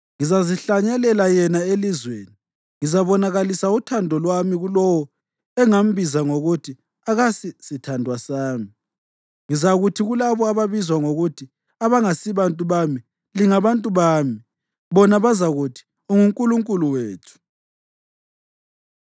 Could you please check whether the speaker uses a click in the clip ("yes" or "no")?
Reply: no